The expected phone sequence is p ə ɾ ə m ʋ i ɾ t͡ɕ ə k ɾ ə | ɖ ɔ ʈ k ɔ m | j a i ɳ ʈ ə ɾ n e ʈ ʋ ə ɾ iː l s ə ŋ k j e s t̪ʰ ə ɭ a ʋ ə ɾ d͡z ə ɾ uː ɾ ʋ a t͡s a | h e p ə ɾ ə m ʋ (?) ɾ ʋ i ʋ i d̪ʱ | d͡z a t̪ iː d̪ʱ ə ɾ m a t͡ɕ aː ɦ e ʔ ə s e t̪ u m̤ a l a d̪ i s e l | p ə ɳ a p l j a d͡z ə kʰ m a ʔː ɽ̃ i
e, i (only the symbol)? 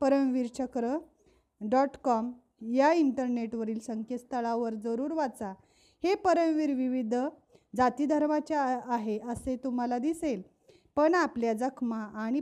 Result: i